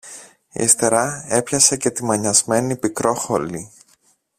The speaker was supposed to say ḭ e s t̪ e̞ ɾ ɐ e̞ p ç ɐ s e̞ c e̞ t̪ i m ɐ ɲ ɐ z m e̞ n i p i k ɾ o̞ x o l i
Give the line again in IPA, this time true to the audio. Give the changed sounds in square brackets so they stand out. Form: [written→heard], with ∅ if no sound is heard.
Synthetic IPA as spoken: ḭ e s t̪ e̞ ɾ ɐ e̞ p ç ɐ s e̞ c e̞ t̪ i m ɐ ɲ ɐ z m e̞ n i p i k ɾ o̞ x o l i